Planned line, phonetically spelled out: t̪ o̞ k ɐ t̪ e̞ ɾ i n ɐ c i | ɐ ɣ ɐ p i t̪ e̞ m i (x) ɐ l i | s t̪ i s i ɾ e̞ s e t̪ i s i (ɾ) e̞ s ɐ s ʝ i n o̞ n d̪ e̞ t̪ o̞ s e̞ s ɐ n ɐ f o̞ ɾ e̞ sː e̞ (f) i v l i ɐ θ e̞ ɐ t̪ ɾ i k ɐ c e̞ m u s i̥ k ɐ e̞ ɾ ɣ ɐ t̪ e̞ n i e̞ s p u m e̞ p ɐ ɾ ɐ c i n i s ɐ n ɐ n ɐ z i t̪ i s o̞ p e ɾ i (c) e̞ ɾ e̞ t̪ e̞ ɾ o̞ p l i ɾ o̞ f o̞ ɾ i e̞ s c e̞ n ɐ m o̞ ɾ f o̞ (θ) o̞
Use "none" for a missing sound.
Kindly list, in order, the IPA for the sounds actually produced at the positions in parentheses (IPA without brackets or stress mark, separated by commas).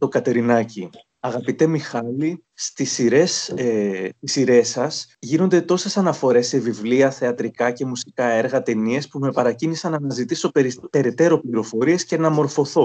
x, ɾ, v, p, θ